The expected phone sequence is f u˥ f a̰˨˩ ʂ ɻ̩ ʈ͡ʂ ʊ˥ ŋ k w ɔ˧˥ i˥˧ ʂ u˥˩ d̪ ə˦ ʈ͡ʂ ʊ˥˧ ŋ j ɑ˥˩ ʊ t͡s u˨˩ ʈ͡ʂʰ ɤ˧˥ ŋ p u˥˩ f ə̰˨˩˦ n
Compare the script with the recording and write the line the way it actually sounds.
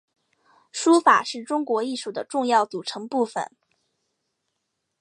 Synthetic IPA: ʂ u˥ f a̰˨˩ ʂ ɻ̩ ʈ͡ʂ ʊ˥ ŋ k w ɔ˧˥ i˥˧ ʂ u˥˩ d̪ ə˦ ʈ͡ʂ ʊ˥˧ ŋ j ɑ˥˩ ʊ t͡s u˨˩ ʈ͡ʂʰ ɤ˧˥ ŋ p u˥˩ f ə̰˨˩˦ n